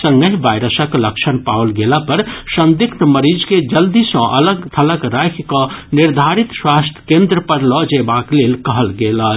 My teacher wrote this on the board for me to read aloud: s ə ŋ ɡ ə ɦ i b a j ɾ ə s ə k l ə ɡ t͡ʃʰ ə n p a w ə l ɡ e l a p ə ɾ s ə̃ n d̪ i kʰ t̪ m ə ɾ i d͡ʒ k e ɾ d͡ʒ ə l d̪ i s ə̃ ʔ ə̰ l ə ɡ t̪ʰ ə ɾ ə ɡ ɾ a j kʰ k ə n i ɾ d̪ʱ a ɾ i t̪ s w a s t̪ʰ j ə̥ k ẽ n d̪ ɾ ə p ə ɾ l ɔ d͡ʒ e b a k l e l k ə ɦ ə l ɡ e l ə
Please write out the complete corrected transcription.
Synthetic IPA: s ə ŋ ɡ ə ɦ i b a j ɾ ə s ə k l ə k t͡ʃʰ ə n p a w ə l ɡ e l a p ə ɾ s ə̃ n d̪ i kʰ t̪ m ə ɾ i d͡ʒ k e d͡ʒ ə l d̪ i s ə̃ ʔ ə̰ l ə ɡ t̪ʰ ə l ə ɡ ɾ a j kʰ k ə n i ɾ d̪ʱ a ɾ i t̪ s w a s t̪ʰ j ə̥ k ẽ n d̪ ɾ ə p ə ɾ l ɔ d͡ʒ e b a k l e l k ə ɦ ə l ɡ e l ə

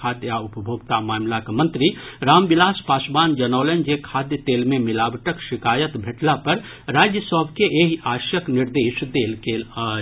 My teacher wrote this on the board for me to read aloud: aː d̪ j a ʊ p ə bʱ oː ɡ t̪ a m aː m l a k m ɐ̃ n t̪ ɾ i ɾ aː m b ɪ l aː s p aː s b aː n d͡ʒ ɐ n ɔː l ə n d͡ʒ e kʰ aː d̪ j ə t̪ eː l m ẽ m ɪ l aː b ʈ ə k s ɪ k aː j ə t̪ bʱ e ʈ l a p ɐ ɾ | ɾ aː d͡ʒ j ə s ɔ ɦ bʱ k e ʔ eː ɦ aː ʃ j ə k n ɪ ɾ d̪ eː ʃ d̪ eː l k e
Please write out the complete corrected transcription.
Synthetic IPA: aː d̪ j a ʊ p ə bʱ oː ɡ t̪ a m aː m l a k m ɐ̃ n t̪ ɾ i ɾ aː m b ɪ l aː s p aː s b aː n d͡ʒ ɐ n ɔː l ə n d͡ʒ e kʰ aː d̪ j ə t̪ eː l m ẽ m ɪ l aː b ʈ ə k ʃ ɪ k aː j ə t̪ bʱ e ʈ l a p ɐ ɾ | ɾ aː d͡ʒ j ə s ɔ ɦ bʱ k e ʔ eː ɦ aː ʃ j ə k n ɪ ɾ d̪ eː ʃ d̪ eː l k e

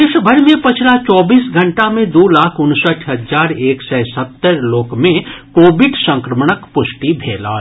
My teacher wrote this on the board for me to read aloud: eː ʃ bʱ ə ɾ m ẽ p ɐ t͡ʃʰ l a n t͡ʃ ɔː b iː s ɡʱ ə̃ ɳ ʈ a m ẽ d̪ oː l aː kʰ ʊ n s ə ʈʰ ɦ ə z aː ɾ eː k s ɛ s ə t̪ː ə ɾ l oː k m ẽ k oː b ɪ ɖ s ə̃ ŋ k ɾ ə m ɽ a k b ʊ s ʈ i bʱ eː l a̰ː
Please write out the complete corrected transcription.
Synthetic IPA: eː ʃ bʱ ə ɾ m ẽ p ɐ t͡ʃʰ l a t͡ʃ ɔː b iː s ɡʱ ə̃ ɳ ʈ a m ẽ d̪ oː l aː kʰ ʊ n s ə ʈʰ ɦ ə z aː ɾ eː k s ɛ s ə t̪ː ə ɾ l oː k m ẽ k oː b ɪ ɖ s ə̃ ŋ k ɾ ə m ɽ ə k p ʊ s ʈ i bʱ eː l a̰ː

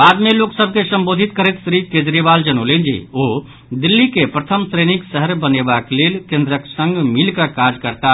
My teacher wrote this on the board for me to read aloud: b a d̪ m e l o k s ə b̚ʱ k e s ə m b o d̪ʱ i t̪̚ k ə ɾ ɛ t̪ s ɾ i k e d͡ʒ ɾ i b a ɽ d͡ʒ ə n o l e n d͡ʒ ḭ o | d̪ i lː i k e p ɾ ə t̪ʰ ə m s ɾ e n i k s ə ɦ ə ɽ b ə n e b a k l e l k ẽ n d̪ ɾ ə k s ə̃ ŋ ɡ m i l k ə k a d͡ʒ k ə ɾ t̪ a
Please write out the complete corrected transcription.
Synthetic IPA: b a d̪ m e l o k s ə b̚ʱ k e s ə m b o d̪ʱ i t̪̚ k ə ɾ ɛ t̪ s ɾ i k e d͡ʒ ɾ i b a l d͡ʒ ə n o l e n d͡ʒ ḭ o | d̪ i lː i k e p ɾ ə t̪ʰ ə m s ɾ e n i k s ə ɦ ə ɾ b ə n e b a k l e l k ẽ n d̪ ɾ ə k s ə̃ ŋ ɡ m i l k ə k a d͡ʒ k ə ɾ t̪ a

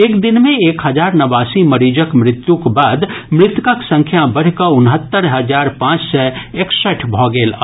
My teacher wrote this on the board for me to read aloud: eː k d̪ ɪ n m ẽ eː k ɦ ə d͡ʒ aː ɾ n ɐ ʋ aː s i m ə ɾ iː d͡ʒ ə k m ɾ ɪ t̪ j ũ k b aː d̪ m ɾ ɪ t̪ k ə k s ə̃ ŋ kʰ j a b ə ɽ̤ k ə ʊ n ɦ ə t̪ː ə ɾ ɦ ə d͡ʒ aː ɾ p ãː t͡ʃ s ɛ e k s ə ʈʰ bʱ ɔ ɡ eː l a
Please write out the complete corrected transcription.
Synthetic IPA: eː k d̪ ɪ n m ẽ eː k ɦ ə d͡ʒ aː ɾ n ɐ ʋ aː s i m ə ɾ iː d͡ʒ ə k m ɾ ɪ t̪ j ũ k b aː d̪ m ɾ ɪ t̪ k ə k s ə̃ ŋ kʰ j a b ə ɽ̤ k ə ʊ n ɦ ə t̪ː ə ɾ ɦ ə d͡ʒ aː ɾ p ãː t͡ʃ s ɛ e k s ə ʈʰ bʱ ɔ ɡ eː l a

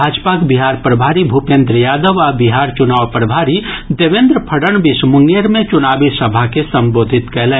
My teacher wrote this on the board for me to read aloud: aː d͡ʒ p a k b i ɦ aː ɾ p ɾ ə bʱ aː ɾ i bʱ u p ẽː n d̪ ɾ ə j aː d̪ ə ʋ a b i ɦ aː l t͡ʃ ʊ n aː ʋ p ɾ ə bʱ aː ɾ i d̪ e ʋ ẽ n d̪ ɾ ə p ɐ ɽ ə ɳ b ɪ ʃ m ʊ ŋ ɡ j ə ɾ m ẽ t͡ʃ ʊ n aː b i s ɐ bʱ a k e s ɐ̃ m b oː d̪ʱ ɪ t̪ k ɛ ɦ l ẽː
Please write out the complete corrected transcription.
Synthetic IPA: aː d͡ʒ p a k b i ɦ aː ɾ p ɾ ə bʱ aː ɾ i bʱ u p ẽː n d̪ ɾ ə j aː d̪ ə ʋ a b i ɦ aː ɾ t͡ʃ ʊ n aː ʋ p ɾ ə bʱ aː ɾ i d̪ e ʋ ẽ n d̪ ɾ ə pʰ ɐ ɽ ə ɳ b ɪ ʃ m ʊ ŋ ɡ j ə ɾ m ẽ t͡ʃ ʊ n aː b i s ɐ bʱ a k e s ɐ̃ m b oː d̪ʱ ɪ t̪ k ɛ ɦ l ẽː

